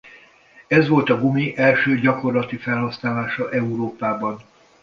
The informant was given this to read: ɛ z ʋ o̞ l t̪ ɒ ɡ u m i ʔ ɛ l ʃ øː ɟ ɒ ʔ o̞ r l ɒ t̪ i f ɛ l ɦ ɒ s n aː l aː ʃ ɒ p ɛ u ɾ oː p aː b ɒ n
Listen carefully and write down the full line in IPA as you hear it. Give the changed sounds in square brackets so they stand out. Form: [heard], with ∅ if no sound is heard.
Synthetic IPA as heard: ɛ z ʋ o̞ l t̪ ɒ ɡ u m i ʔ ɛ l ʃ øː ɟ ɒ [k] o̞ r l ɒ t̪ i f ɛ l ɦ ɒ s n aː l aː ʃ ɒ [ʔ] ɛ u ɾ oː p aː b ɒ n